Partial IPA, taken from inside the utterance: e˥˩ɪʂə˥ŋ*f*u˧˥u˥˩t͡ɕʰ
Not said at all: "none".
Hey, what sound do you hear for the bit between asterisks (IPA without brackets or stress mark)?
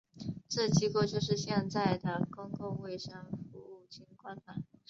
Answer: f